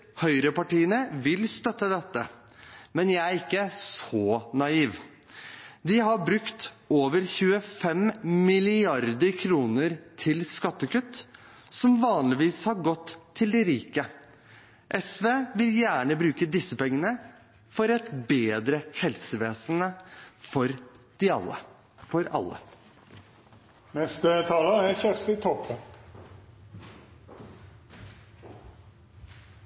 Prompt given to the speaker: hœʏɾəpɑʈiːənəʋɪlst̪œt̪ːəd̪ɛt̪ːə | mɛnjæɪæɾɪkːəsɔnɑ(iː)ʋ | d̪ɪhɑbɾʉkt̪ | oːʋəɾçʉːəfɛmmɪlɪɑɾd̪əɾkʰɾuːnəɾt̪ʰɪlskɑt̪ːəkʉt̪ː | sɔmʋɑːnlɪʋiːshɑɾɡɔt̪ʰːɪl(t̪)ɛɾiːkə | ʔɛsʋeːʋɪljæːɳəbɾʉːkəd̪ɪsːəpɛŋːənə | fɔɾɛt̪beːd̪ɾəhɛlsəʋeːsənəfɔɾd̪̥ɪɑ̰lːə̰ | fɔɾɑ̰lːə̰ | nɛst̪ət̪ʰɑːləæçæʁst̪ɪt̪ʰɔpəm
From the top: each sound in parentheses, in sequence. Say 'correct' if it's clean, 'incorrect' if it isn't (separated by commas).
correct, incorrect